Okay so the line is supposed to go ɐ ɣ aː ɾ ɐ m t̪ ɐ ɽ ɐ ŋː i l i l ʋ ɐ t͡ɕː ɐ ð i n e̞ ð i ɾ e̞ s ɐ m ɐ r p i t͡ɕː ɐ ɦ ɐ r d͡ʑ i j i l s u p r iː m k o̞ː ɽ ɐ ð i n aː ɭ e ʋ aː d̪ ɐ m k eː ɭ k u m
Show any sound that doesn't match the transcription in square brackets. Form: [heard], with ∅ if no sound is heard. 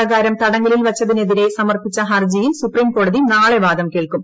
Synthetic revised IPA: ɐ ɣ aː ɾ ɐ m t̪ ɐ ɽ ɐ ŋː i l i l ʋ ɐ t͡ɕː ɐ ð i n e̞ ð i ɾ e̞ s ɐ m ɐ r p i t͡ɕː ɐ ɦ ɐ r d͡ʑ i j i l s u p r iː m k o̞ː ɽ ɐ ð i n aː ɭ e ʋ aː d̪ ɐ m k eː ɭ k u m